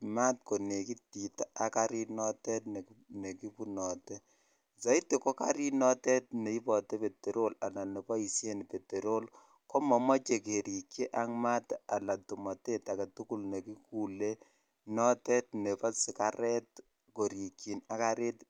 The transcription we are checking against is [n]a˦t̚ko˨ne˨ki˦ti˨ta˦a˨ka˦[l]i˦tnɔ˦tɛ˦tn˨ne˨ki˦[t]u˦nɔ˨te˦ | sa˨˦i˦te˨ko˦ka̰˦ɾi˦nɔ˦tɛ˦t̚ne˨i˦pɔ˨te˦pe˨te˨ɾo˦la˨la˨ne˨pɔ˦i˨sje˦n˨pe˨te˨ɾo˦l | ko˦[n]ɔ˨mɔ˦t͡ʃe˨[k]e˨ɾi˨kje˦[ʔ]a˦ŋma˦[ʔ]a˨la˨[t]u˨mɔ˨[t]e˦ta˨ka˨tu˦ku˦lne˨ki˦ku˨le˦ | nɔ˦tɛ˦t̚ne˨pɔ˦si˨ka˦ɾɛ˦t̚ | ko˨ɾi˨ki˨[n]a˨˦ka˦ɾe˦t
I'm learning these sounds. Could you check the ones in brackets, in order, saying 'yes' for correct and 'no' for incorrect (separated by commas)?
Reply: no, no, no, no, yes, yes, no, yes, yes, yes